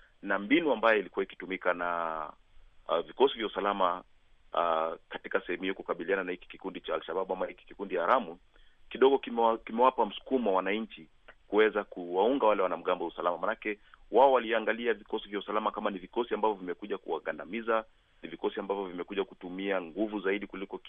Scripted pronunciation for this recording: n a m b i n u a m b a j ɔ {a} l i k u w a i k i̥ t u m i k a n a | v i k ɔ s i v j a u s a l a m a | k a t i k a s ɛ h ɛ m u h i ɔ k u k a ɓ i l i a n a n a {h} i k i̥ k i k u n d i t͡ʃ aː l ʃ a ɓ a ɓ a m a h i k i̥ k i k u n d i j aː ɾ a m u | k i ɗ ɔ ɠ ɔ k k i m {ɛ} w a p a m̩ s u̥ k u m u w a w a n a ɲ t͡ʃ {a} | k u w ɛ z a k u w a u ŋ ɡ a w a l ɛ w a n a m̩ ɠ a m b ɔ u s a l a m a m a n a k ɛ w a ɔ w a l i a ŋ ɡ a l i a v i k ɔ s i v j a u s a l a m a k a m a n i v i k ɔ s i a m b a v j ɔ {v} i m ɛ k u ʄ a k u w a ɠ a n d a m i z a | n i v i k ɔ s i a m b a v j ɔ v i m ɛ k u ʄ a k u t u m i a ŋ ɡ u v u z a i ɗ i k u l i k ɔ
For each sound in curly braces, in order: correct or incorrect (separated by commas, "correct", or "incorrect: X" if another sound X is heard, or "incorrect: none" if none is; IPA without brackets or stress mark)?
incorrect: i, correct, correct, incorrect: i, correct